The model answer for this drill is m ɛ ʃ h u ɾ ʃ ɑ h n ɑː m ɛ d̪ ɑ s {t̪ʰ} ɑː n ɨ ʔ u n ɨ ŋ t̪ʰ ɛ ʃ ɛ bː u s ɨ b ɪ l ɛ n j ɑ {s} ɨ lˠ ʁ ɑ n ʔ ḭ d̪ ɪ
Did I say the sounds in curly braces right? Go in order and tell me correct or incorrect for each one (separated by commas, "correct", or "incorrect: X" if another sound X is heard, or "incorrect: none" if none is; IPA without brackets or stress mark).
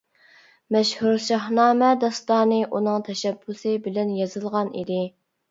incorrect: t̪, incorrect: z